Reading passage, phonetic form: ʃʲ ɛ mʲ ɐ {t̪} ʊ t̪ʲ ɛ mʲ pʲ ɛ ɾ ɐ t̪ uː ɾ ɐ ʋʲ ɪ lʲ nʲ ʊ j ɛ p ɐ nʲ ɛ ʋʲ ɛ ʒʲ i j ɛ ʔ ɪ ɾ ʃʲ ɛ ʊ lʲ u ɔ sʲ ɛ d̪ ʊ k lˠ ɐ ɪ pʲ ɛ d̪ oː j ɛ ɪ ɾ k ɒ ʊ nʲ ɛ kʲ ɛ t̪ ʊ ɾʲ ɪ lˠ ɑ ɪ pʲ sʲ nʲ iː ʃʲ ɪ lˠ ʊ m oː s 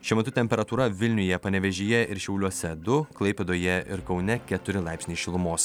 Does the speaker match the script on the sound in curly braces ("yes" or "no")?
yes